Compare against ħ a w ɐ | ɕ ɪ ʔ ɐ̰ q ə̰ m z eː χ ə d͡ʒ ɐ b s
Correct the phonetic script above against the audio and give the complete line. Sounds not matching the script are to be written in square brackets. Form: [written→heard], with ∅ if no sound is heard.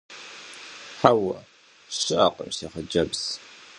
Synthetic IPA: ħ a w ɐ | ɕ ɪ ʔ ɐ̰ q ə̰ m [z→s] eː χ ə d͡ʒ ɐ b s